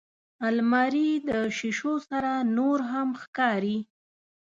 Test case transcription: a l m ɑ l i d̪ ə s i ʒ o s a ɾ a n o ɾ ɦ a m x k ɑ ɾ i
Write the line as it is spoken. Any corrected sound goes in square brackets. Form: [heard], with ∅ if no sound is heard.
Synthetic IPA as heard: a l m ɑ [ɾ] i d̪ ə [ʃ] i [ʃ] o s a ɾ a n o ɾ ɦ a m x k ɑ ɾ i